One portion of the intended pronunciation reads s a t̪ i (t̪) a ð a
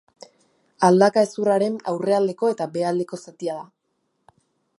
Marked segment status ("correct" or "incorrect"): incorrect